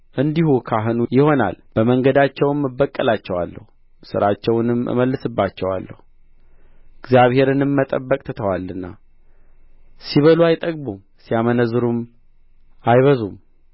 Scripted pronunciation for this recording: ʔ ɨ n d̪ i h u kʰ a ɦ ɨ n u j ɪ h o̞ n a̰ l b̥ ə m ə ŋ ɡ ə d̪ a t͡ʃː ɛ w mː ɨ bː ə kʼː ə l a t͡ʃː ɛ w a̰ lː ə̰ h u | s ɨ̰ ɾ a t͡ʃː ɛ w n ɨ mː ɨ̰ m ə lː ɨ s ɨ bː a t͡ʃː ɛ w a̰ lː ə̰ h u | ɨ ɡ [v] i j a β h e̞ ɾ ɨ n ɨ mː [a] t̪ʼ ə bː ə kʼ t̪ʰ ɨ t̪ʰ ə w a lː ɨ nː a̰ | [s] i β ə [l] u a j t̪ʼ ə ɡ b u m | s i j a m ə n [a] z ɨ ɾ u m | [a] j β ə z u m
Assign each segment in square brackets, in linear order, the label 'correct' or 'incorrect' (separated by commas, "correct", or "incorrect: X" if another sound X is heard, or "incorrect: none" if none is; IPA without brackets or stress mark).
incorrect: z, incorrect: ə, correct, correct, incorrect: ə, correct